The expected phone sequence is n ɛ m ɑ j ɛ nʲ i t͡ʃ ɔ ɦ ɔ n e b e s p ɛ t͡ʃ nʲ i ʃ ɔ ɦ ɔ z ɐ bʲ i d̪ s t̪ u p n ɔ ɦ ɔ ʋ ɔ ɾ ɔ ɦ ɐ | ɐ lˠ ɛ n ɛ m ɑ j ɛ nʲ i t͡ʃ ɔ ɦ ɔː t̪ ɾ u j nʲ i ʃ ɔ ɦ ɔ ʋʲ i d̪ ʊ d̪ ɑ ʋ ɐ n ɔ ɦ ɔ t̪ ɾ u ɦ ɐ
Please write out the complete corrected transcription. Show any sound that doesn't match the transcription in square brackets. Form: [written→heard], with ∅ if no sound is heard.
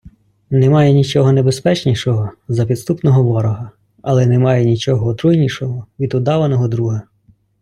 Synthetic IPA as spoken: n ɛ m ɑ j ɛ nʲ i t͡ʃ ɔ ɦ ɔ n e b e s p ɛ t͡ʃ nʲ i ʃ ɔ ɦ ɔ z ɐ [bʲ→pʲ] i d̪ s t̪ u p n ɔ ɦ ɔ ʋ ɔ ɾ ɔ ɦ ɐ | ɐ lˠ ɛ n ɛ m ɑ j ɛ nʲ i t͡ʃ ɔ ɦ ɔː t̪ ɾ u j nʲ i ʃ ɔ ɦ ɔ ʋʲ i d̪ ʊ d̪ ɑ ʋ ɐ n ɔ ɦ ɔ [t̪→d̪] ɾ u ɦ ɐ